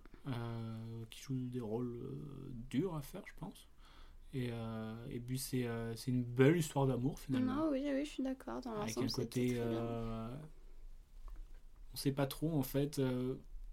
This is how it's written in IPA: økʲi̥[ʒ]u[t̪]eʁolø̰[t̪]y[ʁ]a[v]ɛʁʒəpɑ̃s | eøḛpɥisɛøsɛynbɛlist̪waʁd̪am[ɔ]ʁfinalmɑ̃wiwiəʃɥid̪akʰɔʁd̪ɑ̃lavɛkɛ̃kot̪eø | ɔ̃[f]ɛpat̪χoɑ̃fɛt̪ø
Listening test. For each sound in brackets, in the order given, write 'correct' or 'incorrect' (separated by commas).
correct, incorrect, incorrect, correct, incorrect, incorrect, incorrect